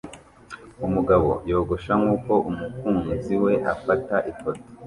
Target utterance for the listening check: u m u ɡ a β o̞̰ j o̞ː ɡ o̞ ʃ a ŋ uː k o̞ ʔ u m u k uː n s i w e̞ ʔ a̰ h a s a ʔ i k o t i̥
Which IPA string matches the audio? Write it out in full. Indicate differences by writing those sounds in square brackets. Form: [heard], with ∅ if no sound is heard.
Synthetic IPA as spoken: u m u ɡ a β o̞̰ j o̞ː ɡ o̞ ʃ a ŋ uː k o̞ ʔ u m u k uː n [z] i w e̞ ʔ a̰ [f] a [t] a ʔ i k o t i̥